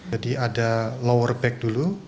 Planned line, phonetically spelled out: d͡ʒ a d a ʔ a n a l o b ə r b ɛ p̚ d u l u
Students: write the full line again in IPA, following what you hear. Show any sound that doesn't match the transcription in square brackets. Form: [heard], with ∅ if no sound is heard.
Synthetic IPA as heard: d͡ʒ a d [i] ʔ a [d] a l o [w] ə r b ɛ [k̚] d u l u